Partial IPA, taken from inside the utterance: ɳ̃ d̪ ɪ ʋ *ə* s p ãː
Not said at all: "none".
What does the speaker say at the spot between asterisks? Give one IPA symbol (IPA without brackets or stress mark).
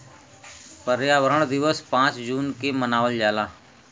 ə